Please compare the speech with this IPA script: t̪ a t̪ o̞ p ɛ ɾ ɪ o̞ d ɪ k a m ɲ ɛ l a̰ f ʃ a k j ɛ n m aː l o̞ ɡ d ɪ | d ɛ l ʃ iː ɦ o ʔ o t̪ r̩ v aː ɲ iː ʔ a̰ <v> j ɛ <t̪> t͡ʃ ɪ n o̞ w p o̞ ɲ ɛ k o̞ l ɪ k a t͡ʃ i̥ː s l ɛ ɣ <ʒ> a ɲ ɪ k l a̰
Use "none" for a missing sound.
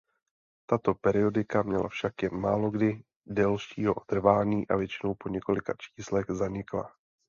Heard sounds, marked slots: v, none, z

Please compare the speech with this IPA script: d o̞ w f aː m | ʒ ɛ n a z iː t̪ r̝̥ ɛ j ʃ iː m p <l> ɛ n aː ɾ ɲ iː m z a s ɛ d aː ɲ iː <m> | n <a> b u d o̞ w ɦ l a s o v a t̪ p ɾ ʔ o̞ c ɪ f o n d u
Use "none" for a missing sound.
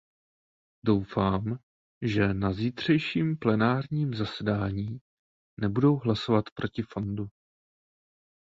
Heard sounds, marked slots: l, none, ɛ

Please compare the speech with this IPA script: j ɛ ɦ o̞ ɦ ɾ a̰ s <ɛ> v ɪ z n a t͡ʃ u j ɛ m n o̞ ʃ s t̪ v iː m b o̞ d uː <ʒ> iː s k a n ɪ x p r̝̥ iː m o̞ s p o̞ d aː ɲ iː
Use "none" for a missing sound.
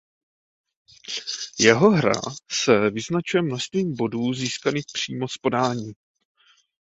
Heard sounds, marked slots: ɛ, z

